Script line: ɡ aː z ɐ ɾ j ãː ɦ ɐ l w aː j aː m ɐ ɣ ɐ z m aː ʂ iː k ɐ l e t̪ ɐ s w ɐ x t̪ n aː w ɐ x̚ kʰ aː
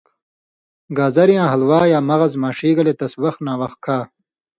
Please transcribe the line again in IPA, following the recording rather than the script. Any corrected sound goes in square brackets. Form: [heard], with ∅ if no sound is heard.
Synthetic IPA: ɡ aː z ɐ ɾ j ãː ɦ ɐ l w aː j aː m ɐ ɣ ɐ z m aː ʂ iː [ɡ] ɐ l e t̪ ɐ s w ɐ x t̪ n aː w ɐ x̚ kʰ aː